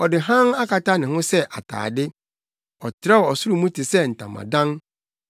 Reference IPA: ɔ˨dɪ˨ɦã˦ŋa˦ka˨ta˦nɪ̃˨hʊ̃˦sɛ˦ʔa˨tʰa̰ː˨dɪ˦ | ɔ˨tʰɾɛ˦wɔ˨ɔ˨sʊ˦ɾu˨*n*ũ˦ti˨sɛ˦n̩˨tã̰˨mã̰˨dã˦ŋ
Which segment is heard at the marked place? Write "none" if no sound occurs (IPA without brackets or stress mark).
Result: m